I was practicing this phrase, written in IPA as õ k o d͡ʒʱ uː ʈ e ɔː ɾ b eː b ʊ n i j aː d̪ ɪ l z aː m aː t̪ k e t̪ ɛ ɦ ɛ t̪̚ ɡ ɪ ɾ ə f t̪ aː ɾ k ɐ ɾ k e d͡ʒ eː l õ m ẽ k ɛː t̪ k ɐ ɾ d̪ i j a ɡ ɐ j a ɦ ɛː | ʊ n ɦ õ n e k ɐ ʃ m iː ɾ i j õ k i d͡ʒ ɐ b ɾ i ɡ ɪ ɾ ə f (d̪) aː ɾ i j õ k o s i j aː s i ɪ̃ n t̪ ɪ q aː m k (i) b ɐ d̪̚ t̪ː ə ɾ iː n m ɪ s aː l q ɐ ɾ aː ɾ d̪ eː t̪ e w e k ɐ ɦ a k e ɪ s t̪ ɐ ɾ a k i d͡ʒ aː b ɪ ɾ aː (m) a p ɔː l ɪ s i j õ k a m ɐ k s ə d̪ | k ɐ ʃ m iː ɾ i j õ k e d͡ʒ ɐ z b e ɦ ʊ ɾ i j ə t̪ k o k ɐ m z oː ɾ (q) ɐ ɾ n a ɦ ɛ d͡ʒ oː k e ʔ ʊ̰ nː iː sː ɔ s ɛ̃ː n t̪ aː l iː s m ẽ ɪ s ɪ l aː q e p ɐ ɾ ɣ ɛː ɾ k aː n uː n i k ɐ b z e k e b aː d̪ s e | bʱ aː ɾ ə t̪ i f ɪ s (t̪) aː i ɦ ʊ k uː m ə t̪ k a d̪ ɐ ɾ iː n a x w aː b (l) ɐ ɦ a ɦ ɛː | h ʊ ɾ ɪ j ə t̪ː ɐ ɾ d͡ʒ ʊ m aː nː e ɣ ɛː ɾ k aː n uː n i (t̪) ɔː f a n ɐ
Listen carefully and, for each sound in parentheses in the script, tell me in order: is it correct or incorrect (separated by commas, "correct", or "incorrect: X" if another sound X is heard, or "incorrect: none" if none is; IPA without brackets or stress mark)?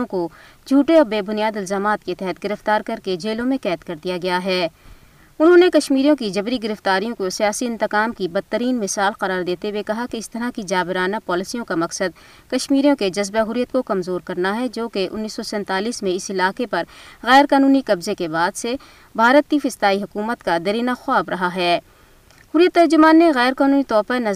incorrect: t̪, correct, incorrect: n, incorrect: k, correct, incorrect: ɾ, correct